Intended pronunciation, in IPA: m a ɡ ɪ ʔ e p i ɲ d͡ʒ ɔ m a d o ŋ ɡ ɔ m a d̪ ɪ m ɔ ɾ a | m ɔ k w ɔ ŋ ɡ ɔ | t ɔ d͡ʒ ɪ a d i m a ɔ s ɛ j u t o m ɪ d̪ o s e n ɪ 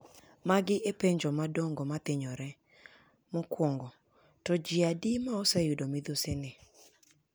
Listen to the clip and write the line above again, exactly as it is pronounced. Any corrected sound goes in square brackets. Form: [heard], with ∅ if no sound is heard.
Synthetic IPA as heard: m a ɡ ɪ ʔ e p [e] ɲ d͡ʒ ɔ m a d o ŋ ɡ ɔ m a [t̪] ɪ [ɲ] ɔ ɾ [ɛ] | m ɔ k w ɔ ŋ ɡ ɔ | t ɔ d͡ʒ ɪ a d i m a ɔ s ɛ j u [d] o m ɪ d̪ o s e n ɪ